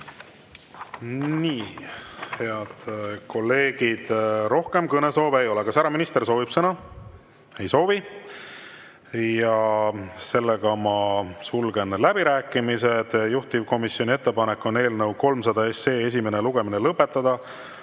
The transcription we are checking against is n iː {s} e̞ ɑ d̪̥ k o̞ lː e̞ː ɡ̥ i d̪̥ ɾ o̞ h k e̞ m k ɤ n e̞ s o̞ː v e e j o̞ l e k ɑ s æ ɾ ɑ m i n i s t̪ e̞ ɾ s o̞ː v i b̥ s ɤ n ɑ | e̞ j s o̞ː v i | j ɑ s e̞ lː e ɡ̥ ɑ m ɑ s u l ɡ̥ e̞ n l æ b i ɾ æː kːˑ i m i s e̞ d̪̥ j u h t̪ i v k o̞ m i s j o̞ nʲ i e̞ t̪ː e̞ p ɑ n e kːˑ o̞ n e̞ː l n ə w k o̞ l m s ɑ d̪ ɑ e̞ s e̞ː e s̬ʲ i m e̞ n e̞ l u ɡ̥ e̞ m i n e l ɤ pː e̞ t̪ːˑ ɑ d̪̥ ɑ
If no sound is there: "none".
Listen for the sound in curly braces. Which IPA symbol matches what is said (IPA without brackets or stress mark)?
h